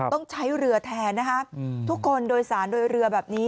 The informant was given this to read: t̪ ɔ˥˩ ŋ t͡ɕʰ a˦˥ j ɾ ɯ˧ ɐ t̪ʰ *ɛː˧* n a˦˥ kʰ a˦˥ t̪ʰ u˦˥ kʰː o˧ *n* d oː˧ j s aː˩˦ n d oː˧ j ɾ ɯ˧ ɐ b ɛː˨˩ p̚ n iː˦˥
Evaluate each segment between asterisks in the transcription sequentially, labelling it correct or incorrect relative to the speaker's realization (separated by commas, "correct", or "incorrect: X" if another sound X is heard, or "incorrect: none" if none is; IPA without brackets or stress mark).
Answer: correct, correct